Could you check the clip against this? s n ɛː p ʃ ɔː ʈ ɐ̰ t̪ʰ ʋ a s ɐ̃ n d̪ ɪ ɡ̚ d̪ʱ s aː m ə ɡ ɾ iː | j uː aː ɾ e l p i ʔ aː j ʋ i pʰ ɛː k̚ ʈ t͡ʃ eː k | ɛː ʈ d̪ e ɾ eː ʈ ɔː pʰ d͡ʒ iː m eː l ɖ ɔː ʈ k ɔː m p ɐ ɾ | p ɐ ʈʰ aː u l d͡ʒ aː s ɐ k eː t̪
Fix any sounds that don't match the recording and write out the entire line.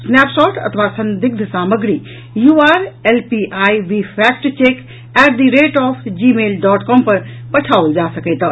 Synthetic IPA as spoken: s n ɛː p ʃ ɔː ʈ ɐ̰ t̪ʰ ʋ a s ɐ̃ n d̪ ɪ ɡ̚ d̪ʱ s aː m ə ɡ ɾ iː | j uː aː ɾ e l p i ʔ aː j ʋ i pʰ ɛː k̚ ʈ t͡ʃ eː k | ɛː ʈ d̪ i ɾ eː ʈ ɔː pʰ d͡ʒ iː m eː l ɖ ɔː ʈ k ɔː m p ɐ ɾ | p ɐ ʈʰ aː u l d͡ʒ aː s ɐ k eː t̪